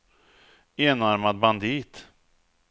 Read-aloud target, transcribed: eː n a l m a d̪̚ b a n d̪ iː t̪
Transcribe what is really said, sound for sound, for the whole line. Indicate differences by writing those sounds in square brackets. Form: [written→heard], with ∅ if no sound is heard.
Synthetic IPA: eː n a [l→ɾ] m a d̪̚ b a n d̪ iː t̪